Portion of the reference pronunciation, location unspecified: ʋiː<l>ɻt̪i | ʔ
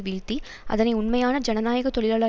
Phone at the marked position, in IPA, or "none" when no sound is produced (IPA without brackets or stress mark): none